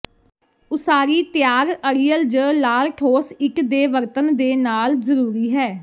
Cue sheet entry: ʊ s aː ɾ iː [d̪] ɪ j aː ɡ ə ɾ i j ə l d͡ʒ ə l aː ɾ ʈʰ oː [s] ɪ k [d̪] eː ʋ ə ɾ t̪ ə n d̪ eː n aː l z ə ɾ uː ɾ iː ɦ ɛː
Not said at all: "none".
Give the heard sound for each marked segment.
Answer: t̪, s, d̪

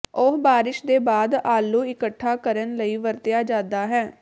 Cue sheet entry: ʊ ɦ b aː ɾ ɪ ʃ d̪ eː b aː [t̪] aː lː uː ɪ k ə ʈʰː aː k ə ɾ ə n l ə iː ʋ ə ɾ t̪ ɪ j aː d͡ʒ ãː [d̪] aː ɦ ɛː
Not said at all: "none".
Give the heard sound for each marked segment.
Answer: d̪, d̪

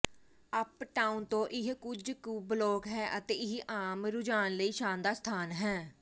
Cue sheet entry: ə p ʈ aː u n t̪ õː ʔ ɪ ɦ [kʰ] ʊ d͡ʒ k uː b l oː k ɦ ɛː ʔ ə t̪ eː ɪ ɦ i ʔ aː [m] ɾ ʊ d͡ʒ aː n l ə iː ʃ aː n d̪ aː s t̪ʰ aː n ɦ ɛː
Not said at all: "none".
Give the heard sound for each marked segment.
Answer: k, m

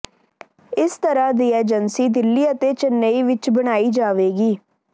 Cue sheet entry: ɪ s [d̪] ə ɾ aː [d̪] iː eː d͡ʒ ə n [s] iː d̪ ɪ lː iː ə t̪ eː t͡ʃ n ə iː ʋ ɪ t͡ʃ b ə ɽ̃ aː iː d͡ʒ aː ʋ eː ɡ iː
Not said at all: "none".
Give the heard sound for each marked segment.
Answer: t̪, d̪, s

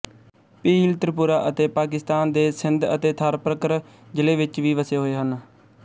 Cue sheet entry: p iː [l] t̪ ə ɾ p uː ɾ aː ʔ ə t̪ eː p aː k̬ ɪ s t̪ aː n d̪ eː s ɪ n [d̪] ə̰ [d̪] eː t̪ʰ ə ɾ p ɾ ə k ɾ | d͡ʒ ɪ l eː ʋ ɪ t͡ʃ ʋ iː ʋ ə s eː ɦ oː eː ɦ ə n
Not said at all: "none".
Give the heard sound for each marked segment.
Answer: l, d̪, t̪

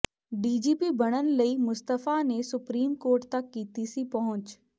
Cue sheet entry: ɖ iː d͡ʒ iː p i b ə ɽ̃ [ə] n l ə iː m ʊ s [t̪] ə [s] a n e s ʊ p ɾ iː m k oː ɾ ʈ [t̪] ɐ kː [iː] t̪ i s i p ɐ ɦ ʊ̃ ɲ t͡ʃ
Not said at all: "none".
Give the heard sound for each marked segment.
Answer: ə, t̪, f, t̪, iː

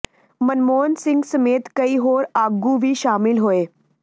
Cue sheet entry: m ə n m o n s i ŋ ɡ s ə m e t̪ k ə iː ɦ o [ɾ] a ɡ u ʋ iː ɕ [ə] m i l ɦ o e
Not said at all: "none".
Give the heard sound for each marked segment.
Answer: ɾ, a

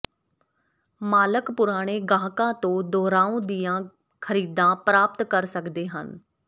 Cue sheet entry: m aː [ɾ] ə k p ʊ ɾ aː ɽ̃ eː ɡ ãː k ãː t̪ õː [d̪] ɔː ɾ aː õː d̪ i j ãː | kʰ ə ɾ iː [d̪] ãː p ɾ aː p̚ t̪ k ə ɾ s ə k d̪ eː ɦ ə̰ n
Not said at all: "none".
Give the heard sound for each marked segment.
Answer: l, d̪, d̪

